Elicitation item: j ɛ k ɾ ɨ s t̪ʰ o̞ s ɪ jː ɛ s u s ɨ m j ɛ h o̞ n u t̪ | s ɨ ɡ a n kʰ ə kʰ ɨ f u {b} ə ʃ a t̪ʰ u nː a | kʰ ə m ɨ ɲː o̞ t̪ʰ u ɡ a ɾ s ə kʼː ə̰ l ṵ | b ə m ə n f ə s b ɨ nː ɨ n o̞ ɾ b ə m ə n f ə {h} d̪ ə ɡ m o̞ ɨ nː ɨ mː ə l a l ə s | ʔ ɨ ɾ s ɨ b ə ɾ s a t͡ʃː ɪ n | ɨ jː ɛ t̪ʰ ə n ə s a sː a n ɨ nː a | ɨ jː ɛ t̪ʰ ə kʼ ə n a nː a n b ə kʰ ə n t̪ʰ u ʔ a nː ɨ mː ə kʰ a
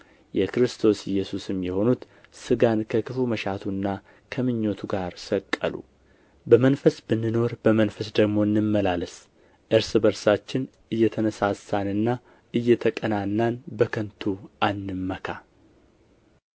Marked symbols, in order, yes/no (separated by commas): no, no